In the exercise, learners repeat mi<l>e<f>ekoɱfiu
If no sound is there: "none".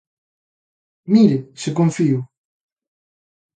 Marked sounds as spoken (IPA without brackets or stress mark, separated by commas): ɾ, s